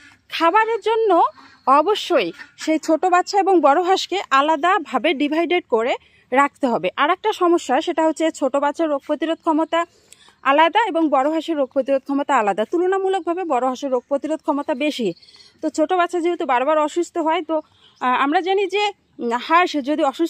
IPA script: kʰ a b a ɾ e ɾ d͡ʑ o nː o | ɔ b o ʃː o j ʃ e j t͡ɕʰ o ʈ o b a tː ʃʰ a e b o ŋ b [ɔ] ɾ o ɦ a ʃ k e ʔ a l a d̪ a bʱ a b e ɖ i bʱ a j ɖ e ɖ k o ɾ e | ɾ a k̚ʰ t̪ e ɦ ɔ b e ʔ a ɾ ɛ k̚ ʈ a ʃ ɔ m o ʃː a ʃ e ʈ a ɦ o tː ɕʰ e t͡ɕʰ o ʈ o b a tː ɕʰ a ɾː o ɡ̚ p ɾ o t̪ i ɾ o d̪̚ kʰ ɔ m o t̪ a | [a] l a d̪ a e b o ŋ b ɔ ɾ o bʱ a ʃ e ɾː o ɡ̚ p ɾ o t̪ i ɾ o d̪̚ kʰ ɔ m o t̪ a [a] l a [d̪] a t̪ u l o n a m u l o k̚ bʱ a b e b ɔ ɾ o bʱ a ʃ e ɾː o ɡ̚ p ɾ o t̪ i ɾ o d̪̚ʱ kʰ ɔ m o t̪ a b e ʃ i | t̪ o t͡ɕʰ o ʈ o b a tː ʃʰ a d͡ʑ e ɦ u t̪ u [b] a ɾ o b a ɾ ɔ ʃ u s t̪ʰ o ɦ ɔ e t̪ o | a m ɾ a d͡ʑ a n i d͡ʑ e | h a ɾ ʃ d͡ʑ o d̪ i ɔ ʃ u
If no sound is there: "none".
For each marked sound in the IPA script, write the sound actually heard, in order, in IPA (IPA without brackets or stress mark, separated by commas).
ɔ, a, a, d̪, b